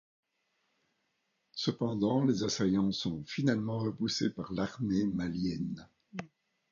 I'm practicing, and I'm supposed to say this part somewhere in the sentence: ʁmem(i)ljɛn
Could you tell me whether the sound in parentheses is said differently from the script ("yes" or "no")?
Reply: yes